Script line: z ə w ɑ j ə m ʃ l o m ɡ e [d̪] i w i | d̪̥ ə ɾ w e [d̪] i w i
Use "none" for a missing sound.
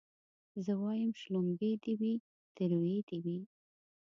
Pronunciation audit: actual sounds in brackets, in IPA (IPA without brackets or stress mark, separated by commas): d̪, d̪